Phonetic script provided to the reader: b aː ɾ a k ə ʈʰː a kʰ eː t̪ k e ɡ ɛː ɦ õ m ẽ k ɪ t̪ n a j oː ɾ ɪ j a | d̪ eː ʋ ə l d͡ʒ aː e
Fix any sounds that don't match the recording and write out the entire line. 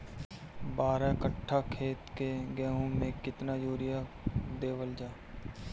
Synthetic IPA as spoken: b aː ɾ a k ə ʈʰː a kʰ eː t̪ k e ɡ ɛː ɦ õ m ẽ k ɪ t̪ n a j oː ɾ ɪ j a | d̪ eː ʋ ə l d͡ʒ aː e